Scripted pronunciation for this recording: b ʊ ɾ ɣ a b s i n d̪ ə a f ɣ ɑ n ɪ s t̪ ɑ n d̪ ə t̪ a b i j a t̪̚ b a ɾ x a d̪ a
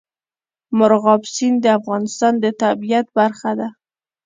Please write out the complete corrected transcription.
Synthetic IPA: m ʊ ɾ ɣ ɑ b s i n d̪ ə a f ɣ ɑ n ɪ s t̪ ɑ n d̪ ə t̪ a b i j a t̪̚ b a ɾ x a d̪ a